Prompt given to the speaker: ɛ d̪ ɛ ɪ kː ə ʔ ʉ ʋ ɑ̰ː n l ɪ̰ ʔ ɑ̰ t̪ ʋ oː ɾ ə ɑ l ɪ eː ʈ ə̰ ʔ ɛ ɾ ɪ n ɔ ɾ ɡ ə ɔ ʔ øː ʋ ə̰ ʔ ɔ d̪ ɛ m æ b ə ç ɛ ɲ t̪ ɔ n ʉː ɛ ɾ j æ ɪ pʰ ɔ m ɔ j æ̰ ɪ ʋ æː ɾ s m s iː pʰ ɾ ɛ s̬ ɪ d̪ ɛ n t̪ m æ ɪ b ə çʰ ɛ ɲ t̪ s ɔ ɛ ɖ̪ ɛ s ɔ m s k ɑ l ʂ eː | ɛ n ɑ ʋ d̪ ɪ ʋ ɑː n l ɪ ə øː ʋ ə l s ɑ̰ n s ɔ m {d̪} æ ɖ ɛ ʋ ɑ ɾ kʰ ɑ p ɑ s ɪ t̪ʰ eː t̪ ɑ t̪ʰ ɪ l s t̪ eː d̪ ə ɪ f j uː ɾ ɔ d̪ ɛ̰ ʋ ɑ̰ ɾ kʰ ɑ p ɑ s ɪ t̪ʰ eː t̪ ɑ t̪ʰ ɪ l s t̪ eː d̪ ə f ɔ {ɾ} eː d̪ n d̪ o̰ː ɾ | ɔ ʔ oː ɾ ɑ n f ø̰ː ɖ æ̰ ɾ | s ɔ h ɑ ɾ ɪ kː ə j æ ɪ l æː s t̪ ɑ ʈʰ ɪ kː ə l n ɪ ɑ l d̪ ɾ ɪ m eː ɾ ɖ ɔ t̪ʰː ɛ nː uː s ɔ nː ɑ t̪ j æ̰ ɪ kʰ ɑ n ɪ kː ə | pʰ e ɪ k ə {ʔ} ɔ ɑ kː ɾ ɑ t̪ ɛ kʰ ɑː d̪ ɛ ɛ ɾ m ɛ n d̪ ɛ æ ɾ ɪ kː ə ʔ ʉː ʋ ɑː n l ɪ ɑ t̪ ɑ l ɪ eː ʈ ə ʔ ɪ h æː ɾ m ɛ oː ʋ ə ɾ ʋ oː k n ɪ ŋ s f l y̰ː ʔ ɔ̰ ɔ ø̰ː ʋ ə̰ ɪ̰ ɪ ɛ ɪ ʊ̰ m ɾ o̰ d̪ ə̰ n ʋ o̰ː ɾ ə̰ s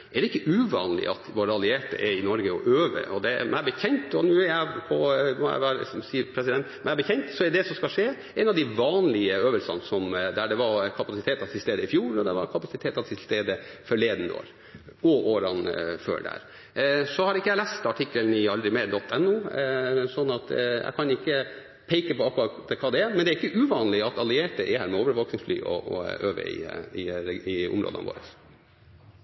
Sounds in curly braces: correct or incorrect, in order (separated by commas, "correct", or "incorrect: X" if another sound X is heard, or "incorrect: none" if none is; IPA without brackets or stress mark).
correct, incorrect: ɭ, incorrect: p